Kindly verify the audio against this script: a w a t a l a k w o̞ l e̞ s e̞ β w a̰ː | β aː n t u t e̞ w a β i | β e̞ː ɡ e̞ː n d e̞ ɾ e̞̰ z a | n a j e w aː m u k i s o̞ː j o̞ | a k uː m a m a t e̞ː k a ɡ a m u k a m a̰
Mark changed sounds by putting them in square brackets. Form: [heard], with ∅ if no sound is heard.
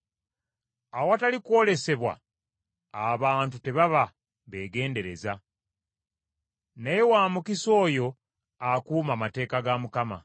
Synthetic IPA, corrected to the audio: a w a t a l [i] k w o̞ l e̞ s e̞ β w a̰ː | β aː n t u t e̞ [β] a β [a] | β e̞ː ɡ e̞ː n d e̞ ɾ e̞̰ z a | n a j e w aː m u k i s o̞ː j o̞ | a k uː m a m a t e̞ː k a ɡ a m u k a m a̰

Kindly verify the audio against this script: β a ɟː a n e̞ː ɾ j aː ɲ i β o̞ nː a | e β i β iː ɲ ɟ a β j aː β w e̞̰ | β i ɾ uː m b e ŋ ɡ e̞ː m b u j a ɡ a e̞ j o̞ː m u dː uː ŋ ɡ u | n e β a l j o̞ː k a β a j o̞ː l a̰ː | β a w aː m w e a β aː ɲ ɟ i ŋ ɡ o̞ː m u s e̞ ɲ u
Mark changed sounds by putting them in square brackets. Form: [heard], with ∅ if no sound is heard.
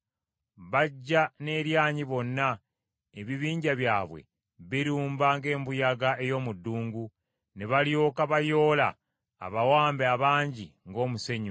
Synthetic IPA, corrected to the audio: β a ɟː a n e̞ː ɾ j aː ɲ i β o̞ nː a | e β i β iː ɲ ɟ a β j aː β w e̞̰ | β i ɾ uː m b [a] ŋ ɡ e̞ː m b u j a ɡ a e̞ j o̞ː m u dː uː ŋ ɡ u | n e β a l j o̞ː k a β a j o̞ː l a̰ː | β a w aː m [b] e a β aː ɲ ɟ i ŋ ɡ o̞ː m u s e̞ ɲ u

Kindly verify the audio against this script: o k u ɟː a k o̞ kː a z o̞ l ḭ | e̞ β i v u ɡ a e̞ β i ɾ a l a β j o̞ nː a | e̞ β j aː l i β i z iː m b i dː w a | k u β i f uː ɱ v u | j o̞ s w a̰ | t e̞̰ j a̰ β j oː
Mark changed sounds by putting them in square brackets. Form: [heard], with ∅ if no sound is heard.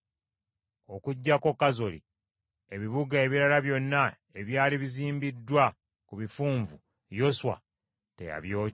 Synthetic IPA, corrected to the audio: o k u ɟː a k o̞ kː a z o̞ l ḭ | e̞ β i [β] u ɡ a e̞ β i ɾ a l a β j o̞ nː a | e̞ β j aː l i β i z iː m b i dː w a | k u β i f uː ɱ v u | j o̞ s w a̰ | t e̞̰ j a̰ β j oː

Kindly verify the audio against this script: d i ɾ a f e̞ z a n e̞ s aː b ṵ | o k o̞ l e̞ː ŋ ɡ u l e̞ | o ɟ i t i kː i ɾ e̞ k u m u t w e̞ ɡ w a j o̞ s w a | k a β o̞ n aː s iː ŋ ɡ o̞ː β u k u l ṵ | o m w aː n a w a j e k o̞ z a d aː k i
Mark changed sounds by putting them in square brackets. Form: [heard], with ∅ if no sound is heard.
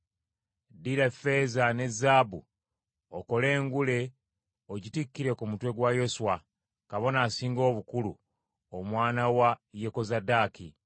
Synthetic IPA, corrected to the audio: d i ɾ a f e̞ z a n e̞ [z] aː b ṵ | o k o̞ l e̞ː ŋ ɡ u l e̞ | o ɟ i t i kː i ɾ e̞ k u m u t w e̞ ɡ w a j o̞ s w a | k a β o̞ n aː s iː ŋ ɡ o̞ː β u k u l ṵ | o m w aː n a w a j e k o̞ z a d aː k i

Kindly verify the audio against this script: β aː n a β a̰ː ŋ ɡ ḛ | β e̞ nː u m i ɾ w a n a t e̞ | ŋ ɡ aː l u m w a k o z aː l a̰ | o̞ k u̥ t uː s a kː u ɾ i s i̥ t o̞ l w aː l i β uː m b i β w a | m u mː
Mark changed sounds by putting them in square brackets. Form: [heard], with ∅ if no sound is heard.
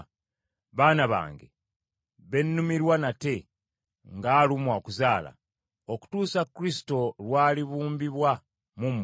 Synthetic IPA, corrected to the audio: β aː n a β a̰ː ŋ ɡ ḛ | β e̞ nː u m i ɾ w a n a t e̞ | ŋ ɡ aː l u m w a k [u] z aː l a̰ | o̞ k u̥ t uː s a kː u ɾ i s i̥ t o̞ l w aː l i β uː m b i β w a | m u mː

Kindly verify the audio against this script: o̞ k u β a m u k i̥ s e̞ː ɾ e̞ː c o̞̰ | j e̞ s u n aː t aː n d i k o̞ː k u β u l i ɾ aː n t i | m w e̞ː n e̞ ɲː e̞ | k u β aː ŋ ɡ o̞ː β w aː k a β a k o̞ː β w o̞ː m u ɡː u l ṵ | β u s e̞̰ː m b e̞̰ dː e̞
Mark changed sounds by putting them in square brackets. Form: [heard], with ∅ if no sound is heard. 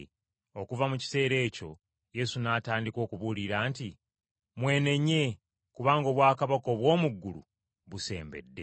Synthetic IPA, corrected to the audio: o̞ k u [v] a m u [c] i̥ s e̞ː ɾ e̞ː c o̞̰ | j e̞ s u n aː t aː n d i k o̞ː k u β u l i ɾ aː n t i | m w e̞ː n e̞ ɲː e̞ | k u β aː ŋ ɡ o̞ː β w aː k a β a k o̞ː β w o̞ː m u ɡː u l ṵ | β u s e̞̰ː m b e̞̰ dː e̞

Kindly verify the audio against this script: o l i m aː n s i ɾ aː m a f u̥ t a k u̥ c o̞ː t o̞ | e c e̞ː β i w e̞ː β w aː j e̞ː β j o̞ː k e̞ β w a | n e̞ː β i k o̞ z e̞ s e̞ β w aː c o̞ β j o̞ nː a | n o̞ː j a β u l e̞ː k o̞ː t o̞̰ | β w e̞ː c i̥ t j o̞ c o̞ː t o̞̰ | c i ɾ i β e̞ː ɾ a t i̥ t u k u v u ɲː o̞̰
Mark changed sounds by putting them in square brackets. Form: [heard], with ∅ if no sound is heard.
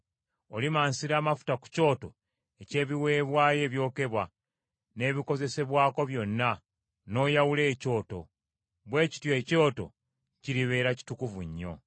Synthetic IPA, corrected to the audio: o l i m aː n s i ɾ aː m a f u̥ t a k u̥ c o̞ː t o̞ | e c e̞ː β i w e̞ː β w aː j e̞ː β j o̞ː k e̞ β w a | n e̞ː β i k o̞ z e̞ s e̞ β w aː [k] o̞ β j o̞ nː a | n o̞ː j a [w] u l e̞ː [c] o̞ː t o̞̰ | β w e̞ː c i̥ t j o̞ c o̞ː t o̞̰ | c i ɾ i β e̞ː ɾ a [c] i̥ t u k u v u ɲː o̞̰

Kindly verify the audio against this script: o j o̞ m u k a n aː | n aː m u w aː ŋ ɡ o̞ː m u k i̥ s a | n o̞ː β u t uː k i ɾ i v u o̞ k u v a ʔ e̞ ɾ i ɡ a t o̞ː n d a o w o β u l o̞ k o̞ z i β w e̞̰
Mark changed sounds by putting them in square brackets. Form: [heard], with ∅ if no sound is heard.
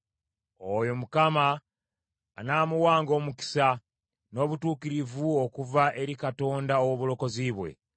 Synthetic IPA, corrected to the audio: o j o̞ m u k a [m] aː | n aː m u w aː ŋ ɡ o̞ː m u k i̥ s a | n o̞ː β u t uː k i ɾ i v u o̞ k u v a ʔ e̞ ɾ i [k] a t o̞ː n d a o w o β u l o̞ k o̞ z i β w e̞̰

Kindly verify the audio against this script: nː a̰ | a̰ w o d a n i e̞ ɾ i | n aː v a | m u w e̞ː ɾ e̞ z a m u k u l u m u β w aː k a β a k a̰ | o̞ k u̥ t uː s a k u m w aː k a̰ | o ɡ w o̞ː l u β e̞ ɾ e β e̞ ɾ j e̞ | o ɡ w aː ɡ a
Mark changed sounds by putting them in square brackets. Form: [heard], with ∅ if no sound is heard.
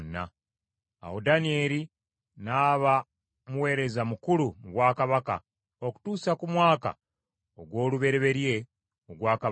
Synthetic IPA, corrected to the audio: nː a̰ | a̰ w o d a n i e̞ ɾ i | n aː [β] a | m u w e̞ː ɾ e̞ z a m u k u l u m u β w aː k a β a k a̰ | o̞ k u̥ t uː s a k u m w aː k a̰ | o ɡ w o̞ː l u β e̞ ɾ e β e̞ ɾ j e̞ | o ɡ w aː [k] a

